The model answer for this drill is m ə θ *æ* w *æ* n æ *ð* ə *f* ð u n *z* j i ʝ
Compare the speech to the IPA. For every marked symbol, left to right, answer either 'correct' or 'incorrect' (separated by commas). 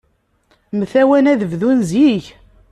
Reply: correct, correct, correct, incorrect, correct